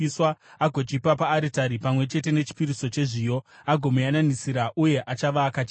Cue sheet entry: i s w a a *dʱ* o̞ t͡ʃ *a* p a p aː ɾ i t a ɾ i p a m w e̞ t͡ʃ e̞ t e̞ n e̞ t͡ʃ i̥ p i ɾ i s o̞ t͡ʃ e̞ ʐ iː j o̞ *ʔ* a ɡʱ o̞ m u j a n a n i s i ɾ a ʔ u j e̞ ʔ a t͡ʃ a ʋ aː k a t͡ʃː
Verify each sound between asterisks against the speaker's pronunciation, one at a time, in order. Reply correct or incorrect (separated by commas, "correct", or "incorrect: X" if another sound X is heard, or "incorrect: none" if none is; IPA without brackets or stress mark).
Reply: incorrect: ɡʱ, incorrect: i, incorrect: none